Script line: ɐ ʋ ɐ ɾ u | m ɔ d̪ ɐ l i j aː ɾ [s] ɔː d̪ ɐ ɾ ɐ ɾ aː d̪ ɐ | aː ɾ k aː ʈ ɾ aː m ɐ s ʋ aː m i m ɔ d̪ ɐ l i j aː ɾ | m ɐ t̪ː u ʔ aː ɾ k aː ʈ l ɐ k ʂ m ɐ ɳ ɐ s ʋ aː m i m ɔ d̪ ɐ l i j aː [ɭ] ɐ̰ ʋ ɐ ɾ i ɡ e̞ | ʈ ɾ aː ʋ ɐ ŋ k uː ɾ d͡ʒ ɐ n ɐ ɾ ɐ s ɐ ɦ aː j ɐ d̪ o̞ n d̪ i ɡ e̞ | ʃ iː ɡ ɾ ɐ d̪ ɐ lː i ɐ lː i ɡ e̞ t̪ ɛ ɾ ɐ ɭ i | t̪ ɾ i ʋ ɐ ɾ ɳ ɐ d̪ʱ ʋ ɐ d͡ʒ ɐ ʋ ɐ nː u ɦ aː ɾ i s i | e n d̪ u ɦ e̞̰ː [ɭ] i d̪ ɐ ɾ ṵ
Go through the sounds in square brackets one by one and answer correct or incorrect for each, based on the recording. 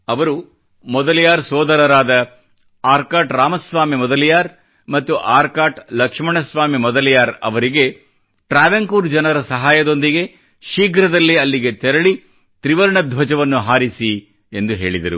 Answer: correct, incorrect: ɾ, correct

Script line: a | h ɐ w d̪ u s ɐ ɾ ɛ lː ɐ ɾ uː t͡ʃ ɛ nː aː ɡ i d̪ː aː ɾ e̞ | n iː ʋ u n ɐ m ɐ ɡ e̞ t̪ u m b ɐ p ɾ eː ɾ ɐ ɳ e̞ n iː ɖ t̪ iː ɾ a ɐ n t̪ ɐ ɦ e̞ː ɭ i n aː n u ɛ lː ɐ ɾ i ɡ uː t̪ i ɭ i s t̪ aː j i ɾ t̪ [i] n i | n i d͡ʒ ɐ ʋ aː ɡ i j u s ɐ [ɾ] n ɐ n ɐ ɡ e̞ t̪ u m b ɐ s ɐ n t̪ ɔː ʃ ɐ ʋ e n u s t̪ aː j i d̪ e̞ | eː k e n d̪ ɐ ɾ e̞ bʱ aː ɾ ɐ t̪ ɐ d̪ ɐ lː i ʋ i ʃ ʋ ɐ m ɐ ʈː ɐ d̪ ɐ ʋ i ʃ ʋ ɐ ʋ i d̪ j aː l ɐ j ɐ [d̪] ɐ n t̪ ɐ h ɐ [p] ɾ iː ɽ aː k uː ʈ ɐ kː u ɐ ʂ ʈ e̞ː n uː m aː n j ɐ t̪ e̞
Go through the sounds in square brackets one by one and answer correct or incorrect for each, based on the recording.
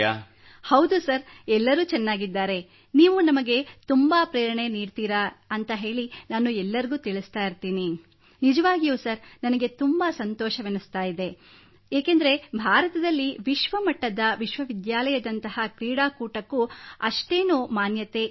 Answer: incorrect: iː, correct, correct, incorrect: k

